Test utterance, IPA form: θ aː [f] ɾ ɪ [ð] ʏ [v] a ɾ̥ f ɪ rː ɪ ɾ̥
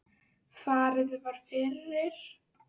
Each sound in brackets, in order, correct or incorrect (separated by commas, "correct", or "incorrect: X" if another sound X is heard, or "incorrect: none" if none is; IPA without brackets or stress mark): incorrect: none, correct, correct